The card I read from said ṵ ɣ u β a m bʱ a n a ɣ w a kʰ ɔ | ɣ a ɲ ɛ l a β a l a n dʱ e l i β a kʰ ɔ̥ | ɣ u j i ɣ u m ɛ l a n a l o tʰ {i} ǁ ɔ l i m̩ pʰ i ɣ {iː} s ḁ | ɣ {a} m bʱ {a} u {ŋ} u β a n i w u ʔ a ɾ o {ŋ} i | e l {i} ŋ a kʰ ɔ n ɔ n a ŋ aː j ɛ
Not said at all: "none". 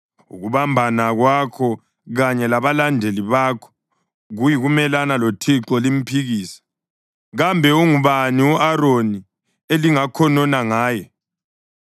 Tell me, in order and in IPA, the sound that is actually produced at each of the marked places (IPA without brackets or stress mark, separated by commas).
i, iː, a, ɛ, ŋ, n, i